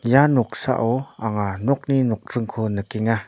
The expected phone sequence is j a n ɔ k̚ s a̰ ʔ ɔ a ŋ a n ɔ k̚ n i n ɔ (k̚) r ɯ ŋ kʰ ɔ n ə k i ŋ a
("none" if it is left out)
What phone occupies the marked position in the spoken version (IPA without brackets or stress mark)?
k̚